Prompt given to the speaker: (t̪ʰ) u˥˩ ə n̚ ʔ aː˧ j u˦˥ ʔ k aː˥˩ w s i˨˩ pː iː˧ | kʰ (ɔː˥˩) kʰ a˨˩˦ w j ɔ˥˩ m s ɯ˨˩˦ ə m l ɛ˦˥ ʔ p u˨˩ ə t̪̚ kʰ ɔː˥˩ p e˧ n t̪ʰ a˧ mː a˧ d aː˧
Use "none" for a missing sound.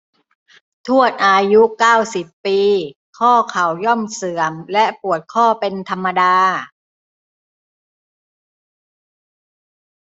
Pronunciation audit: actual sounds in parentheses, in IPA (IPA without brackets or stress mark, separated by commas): t̪ʰ, ɔː˥˩